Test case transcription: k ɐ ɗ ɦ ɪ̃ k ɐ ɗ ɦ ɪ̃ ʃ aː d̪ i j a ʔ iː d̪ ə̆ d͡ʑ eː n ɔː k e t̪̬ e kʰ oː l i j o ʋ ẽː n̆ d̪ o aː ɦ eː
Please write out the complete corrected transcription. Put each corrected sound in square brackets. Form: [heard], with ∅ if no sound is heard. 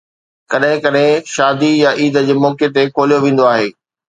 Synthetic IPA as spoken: k ɐ ɗ ɦ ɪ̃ k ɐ ɗ ɦ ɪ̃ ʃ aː d̪ i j a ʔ iː d̪ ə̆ d͡ʑ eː [m] ɔː k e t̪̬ e kʰ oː l i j o ʋ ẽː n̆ d̪ o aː ɦ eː